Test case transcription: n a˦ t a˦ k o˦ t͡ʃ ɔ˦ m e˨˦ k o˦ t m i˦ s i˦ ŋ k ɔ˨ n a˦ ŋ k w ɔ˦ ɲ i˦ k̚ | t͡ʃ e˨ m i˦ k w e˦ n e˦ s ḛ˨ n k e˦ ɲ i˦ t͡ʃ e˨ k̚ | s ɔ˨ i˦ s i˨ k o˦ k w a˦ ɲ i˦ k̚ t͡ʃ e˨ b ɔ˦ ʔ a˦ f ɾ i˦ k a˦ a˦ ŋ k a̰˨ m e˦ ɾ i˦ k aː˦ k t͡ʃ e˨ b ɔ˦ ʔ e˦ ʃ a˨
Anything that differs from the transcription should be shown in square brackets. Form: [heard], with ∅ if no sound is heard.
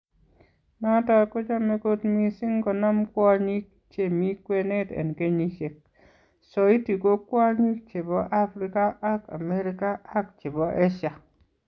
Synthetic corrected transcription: n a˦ t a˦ k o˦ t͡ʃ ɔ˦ m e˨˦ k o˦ t m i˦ s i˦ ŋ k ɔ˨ n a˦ [m] k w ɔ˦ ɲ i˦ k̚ | t͡ʃ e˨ m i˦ k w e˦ n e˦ [t] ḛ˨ n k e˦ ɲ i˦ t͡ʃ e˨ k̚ | s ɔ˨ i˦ [t] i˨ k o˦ k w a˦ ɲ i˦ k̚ t͡ʃ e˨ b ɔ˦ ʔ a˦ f ɾ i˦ k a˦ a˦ [∅] k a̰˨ m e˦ ɾ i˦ k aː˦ k t͡ʃ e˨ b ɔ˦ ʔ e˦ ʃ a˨